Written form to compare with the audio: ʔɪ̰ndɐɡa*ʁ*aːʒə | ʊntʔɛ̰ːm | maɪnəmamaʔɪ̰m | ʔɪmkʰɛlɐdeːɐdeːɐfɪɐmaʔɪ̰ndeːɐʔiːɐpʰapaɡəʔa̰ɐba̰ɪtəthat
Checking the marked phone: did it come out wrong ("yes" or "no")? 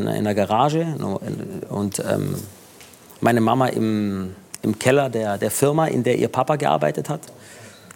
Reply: no